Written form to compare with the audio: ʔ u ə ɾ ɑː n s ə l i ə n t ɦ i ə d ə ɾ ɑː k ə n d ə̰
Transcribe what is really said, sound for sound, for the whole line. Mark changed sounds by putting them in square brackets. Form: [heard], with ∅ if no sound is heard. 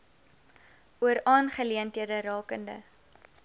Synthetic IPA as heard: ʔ u ə ɾ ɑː n [χ] ə l i ə n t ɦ i ə d ə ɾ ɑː k ə n d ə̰